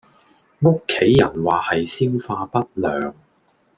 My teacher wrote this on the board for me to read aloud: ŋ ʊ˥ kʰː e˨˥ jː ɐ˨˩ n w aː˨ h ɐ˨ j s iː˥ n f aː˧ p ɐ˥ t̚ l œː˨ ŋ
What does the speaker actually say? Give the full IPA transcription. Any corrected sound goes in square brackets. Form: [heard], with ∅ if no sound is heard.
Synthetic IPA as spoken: ŋ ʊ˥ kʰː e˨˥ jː ɐ˨˩ n w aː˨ h ɐ˨ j s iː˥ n f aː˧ p ɐ˥ t̚ l œː˨ ŋ